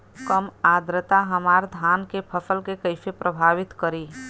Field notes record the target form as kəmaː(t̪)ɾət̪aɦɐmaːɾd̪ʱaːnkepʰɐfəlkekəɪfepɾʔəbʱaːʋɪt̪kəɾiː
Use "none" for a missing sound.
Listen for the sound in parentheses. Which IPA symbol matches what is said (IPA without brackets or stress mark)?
d̪